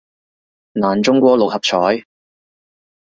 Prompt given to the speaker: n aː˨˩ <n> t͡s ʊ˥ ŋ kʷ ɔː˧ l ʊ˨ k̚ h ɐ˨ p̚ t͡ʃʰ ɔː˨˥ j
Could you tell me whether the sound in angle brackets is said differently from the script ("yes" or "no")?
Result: no